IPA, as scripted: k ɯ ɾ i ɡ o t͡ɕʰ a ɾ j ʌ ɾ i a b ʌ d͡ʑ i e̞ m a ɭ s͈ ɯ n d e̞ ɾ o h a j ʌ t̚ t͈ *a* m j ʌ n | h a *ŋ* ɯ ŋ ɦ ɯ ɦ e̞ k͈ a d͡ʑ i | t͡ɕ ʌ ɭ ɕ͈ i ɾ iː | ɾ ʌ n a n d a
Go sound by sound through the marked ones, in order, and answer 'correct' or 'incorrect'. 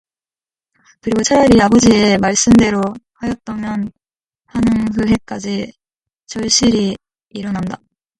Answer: incorrect, incorrect

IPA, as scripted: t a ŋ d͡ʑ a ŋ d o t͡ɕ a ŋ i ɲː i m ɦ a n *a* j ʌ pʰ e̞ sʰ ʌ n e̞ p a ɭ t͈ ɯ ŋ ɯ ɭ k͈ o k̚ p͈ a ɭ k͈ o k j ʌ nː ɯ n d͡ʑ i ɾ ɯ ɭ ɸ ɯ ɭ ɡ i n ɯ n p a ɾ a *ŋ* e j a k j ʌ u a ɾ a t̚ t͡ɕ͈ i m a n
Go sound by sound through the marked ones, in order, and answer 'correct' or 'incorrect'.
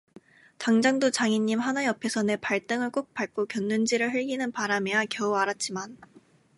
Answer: correct, incorrect

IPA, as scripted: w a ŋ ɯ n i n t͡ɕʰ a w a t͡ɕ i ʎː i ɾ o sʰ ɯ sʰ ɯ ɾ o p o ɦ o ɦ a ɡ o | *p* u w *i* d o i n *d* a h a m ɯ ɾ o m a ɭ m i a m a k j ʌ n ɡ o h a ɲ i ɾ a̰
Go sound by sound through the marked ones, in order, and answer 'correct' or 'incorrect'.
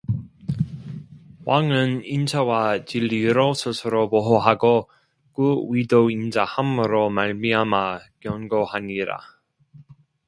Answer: incorrect, correct, incorrect

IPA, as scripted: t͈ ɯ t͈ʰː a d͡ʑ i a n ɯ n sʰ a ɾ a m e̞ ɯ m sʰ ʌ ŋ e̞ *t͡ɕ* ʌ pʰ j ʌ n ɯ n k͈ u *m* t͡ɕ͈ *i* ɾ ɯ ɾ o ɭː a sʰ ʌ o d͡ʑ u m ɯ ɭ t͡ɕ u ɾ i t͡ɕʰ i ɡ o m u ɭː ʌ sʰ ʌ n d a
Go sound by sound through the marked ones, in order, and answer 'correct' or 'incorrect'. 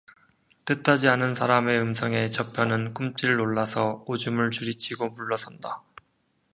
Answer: correct, correct, correct

